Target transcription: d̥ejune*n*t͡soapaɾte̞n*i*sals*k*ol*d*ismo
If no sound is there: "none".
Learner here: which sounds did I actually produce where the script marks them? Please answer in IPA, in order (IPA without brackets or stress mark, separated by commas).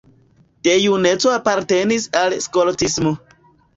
none, i, k, t